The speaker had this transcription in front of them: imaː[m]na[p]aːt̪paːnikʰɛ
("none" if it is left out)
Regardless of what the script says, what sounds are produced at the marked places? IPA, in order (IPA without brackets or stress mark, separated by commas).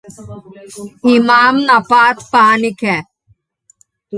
m, p